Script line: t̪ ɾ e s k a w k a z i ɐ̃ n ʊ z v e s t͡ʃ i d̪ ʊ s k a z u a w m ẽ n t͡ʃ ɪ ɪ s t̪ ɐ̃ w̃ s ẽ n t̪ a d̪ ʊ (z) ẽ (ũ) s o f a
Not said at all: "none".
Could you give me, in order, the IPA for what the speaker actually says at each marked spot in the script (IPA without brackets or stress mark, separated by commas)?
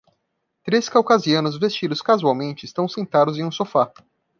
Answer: z, ũ